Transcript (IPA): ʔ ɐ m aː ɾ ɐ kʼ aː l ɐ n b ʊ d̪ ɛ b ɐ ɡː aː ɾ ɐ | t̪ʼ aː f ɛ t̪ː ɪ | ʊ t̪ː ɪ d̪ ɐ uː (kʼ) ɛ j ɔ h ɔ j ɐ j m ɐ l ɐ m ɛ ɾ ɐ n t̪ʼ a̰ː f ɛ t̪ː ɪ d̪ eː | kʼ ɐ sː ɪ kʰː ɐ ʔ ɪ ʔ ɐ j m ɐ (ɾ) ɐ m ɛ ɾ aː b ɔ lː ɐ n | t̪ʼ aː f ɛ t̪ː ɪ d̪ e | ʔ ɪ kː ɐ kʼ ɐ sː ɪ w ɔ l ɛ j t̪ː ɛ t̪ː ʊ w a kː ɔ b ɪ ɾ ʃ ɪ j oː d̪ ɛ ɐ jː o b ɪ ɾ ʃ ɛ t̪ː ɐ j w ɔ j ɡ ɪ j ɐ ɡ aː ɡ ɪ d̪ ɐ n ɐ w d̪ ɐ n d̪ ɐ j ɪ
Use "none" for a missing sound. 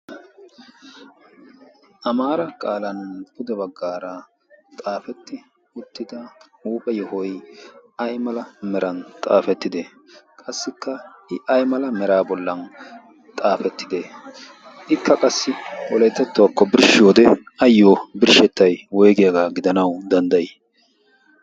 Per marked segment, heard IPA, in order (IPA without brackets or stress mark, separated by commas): pʼ, l